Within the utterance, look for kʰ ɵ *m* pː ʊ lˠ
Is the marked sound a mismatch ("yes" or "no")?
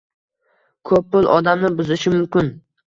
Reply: yes